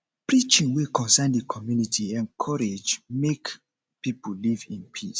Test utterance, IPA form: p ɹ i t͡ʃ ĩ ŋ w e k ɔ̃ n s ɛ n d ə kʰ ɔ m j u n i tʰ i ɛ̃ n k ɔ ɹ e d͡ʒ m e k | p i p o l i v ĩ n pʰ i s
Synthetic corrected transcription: p ɹ i t͡ʃ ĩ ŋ w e k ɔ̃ n s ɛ n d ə kʰ ɔ m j u n i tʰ i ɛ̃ n kʰ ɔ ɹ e d͡ʒ m e k | p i p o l i v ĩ n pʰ i s